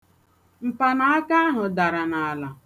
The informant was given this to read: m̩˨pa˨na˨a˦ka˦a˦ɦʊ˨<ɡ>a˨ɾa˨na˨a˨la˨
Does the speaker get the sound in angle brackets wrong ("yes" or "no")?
yes